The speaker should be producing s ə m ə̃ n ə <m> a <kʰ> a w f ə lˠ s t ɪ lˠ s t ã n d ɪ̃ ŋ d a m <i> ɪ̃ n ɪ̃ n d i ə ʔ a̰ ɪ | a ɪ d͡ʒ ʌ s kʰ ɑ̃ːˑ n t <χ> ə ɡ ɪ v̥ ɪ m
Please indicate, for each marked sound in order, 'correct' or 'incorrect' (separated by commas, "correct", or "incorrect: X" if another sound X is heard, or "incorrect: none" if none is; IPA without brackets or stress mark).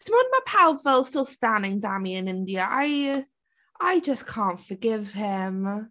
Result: correct, incorrect: pʰ, correct, incorrect: f